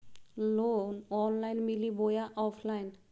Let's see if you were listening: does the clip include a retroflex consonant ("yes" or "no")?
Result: no